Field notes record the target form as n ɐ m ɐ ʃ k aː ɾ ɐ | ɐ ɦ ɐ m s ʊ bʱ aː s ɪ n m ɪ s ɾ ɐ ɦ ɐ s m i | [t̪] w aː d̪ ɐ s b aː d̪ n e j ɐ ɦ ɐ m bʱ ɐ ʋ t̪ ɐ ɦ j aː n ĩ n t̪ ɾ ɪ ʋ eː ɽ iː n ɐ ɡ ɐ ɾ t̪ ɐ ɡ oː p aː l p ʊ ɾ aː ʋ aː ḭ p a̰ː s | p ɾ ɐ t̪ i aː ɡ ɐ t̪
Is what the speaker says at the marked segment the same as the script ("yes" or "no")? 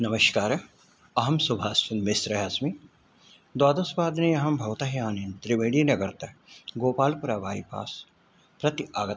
no